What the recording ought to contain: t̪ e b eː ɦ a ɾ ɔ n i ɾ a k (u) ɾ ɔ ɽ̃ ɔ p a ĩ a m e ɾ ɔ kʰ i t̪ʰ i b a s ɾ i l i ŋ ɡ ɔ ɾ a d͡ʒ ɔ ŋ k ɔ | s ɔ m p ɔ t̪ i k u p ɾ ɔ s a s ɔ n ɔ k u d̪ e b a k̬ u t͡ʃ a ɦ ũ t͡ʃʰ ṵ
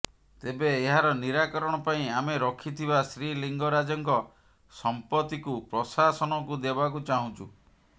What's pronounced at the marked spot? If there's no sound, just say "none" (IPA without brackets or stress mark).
ɔ